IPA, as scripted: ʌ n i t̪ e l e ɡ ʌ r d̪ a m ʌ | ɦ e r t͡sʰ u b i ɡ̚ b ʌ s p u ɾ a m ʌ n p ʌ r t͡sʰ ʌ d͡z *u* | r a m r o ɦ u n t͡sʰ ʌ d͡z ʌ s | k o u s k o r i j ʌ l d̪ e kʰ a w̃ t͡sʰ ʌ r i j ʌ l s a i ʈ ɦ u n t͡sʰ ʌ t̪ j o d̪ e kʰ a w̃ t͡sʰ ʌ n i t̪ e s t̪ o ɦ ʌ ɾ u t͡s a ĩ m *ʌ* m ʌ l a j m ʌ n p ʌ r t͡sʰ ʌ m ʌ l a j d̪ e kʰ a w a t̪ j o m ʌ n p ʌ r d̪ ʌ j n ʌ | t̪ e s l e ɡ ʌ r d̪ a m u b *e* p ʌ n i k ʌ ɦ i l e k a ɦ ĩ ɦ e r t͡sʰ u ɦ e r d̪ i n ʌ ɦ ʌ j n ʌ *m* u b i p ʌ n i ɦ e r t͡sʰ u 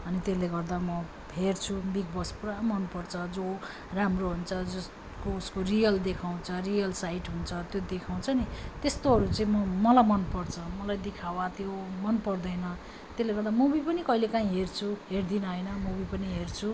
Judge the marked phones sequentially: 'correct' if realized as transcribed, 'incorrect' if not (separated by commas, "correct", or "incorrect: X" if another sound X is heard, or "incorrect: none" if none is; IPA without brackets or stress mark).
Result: incorrect: o, correct, incorrect: i, correct